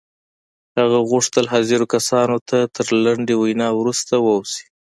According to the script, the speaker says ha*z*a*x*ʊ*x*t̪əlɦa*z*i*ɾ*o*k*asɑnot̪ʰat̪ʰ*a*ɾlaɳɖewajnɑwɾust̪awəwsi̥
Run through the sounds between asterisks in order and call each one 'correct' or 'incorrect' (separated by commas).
incorrect, incorrect, incorrect, correct, correct, correct, incorrect